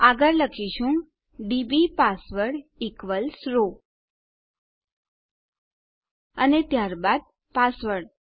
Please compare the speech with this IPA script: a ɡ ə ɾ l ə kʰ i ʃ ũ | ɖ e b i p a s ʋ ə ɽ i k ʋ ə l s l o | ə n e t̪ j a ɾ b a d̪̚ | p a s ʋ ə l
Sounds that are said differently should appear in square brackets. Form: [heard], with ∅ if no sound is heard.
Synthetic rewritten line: a ɡ ə ɾ l ə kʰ i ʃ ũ | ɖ [i] b i p a s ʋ ə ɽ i k ʋ ə l s [ɾ] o | ə n e t̪ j a ɾ b a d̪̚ | p a s ʋ ə [ɽ]

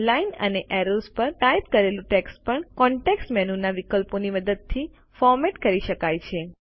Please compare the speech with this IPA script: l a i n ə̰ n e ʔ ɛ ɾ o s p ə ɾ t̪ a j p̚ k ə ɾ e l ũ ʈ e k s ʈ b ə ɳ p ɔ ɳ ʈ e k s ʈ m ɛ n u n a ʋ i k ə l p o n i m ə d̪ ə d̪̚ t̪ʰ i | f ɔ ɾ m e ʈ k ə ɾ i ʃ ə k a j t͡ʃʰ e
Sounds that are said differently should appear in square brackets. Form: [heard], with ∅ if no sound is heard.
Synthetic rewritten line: l a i n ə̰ n e ʔ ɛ ɾ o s p ə ɾ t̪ a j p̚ k ə ɾ e l ũ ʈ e k s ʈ [p] ə ɳ [k] ɔ ɳ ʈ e k s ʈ m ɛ n u n a ʋ i k ə l p o n i m ə d̪ ə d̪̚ t̪ʰ i | f ɔ ɾ m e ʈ k ə ɾ i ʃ ə k a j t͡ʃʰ e

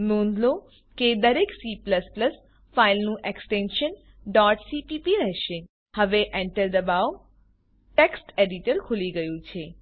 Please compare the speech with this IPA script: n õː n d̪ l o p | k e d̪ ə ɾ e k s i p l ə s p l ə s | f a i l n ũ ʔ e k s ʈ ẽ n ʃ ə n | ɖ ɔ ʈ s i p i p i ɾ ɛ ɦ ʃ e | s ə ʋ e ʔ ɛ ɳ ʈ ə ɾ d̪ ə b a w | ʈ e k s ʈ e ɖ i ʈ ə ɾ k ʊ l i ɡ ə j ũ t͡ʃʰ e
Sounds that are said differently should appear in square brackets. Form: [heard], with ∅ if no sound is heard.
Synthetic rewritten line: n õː n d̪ l o [∅] | k e d̪ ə ɾ e k s i p l ə s p l ə s | f a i l n ũ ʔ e k s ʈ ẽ n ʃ ə n | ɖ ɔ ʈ s i p i p i ɾ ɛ ɦ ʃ e | [h] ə ʋ e ʔ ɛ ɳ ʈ ə ɾ d̪ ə b a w | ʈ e k s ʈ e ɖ i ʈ ə ɾ [kʰ] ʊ l i ɡ ə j ũ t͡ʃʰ e

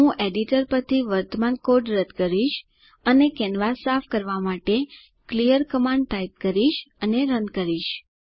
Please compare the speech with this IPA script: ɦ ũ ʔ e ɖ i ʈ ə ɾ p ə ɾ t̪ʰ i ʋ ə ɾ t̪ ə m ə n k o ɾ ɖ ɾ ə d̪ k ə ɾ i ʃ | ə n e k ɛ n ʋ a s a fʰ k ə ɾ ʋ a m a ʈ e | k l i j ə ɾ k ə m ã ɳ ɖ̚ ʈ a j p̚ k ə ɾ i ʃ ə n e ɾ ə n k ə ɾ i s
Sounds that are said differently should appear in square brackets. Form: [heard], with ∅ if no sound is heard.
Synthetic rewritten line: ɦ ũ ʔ e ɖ i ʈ ə ɾ p ə ɾ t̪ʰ i ʋ ə ɾ t̪ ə m [a] n k o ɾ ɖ ɾ ə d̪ k ə ɾ i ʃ | ə n e k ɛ n ʋ a s a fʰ k ə ɾ ʋ a m a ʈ e | k l i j ə ɾ k ə m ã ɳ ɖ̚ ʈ a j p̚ k ə ɾ i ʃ ə n e ɾ ə n k ə ɾ i [ʃ]

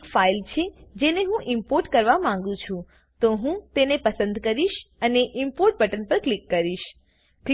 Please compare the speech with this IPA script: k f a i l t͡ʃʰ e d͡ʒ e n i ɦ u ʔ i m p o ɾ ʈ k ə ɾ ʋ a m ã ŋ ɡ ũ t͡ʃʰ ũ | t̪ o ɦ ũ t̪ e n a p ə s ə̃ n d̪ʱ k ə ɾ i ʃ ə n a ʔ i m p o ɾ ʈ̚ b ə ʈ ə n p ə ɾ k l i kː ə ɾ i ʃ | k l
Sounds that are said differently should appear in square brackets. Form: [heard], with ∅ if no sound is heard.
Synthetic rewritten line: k f a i l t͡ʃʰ e d͡ʒ e n [e] ɦ [ũ] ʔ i m p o ɾ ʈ k ə ɾ ʋ a m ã ŋ ɡ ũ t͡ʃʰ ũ | t̪ o ɦ ũ t̪ e n [e] p ə s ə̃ n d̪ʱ k ə ɾ i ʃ ə n [e] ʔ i m p o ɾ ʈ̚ b ə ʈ ə n p ə ɾ k l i kː ə ɾ i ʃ | k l

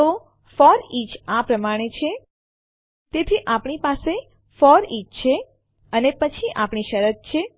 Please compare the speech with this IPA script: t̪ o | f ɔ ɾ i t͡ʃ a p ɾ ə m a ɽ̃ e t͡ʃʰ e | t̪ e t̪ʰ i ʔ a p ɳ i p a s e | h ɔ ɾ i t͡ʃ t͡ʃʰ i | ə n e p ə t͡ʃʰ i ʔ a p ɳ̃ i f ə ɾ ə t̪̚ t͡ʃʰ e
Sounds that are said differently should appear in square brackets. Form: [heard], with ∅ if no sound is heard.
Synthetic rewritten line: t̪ o | f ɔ ɾ i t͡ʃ a p ɾ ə m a ɽ̃ e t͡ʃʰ e | t̪ e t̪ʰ i ʔ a p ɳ i p a s e | [f] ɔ ɾ i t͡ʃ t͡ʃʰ [e] | ə n e p ə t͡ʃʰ i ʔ a p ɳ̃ i [ʃ] ə ɾ ə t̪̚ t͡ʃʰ e

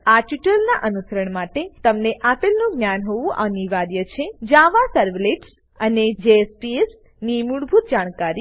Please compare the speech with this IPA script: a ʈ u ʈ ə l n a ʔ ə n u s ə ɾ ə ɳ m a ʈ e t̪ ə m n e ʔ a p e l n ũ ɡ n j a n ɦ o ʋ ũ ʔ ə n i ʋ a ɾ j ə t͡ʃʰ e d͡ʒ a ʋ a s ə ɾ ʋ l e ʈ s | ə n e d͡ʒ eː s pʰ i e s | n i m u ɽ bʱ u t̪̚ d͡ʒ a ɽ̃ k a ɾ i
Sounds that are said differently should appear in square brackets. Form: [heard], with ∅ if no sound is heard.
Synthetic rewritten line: a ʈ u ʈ ə l n a ʔ ə n u s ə ɾ ə ɳ m a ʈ e t̪ ə m n e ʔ a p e l n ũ ɡ n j a n ɦ o ʋ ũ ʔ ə n i ʋ a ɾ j ə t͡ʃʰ e d͡ʒ a ʋ a s ə ɾ ʋ l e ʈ s | ə n e d͡ʒ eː s [p] i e s | n i m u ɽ bʱ u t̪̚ d͡ʒ a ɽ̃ k a ɾ i

